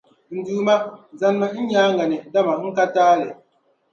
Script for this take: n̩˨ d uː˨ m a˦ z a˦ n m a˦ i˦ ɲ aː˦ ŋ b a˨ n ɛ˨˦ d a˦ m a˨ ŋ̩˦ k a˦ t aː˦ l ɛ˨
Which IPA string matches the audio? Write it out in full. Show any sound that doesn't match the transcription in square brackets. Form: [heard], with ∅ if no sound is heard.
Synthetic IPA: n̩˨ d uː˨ m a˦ z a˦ n m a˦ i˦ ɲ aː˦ ŋ [ɡ] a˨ n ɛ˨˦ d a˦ m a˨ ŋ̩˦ k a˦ t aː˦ l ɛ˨